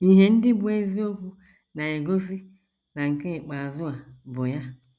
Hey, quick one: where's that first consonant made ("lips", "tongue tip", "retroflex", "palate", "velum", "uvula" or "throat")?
throat